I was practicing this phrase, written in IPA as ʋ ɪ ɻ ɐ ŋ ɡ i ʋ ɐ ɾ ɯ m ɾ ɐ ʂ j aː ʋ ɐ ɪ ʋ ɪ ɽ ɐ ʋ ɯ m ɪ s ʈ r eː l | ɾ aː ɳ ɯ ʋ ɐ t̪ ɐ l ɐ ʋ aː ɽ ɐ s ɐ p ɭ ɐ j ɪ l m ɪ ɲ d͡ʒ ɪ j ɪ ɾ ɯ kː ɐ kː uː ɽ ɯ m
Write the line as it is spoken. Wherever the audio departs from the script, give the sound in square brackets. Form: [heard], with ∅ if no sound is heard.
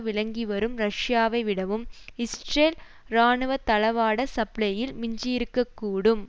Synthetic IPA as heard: ʋ ɪ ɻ ɐ ŋ ɡ i ʋ ɐ ɾ ɯ m ɾ ɐ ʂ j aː ʋ ɐ ɪ ʋ ɪ ɽ ɐ ʋ ɯ m ɪ s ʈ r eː l | ɾ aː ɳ ɯ ʋ ɐ t̪ ɐ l ɐ ʋ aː ɽ ɐ s ɐ p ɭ ɐ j ɪ l m ɪ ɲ d͡ʒ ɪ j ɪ ɾ ɯ kː ɐ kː uː ɽ ɯ m